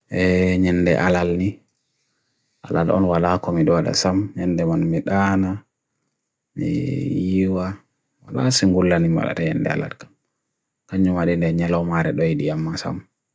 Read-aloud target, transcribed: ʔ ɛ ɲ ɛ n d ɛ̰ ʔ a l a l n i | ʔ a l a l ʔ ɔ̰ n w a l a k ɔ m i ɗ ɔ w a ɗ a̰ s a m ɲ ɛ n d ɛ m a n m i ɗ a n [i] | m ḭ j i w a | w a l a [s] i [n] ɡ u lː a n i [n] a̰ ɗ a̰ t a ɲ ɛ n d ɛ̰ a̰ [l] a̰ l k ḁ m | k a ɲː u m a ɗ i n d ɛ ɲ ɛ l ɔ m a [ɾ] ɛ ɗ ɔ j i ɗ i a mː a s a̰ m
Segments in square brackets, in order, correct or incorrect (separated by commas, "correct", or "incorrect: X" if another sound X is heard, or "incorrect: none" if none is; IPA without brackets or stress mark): incorrect: a, correct, incorrect: ŋ, incorrect: m, correct, correct